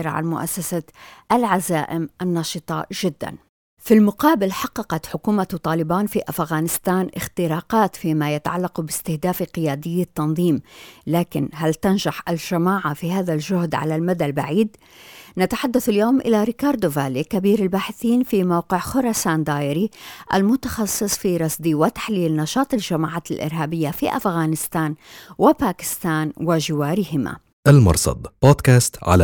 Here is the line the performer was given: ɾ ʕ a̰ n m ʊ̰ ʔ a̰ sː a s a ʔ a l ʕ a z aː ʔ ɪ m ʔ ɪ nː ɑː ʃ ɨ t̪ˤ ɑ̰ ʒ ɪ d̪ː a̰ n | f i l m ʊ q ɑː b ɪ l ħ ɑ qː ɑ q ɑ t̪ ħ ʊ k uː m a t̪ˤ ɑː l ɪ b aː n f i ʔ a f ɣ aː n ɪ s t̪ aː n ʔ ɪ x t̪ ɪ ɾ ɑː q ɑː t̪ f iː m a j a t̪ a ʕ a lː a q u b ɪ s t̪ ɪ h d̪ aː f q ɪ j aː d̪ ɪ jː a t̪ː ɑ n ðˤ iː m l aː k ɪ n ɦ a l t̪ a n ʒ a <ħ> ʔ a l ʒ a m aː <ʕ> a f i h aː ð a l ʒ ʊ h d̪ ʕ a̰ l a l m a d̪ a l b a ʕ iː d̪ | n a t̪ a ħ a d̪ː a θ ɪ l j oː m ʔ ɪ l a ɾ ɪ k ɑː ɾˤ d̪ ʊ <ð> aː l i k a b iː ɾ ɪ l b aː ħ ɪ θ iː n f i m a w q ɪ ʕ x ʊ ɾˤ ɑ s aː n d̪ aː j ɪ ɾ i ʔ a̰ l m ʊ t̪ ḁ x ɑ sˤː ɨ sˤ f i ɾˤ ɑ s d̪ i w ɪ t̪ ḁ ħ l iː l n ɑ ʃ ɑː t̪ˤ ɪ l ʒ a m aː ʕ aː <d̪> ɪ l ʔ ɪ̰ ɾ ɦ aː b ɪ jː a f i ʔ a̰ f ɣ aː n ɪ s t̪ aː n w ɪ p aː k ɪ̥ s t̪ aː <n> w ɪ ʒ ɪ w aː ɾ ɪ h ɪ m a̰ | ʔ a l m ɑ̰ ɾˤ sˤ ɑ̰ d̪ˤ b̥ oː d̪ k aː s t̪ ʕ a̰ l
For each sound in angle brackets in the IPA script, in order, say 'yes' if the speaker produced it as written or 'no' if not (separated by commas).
yes, yes, no, no, yes